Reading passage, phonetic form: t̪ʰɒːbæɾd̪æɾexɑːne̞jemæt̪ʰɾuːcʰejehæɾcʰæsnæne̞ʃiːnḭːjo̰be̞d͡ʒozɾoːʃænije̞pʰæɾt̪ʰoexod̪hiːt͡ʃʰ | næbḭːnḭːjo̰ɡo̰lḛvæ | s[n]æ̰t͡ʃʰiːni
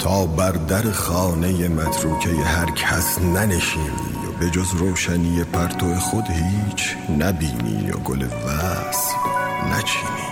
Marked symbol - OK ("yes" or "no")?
yes